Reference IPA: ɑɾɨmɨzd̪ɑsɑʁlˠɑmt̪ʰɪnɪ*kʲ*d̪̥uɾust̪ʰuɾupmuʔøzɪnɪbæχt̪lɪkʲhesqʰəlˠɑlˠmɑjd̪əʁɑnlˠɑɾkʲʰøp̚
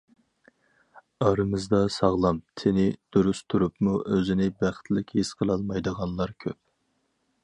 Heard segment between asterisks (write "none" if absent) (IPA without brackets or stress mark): none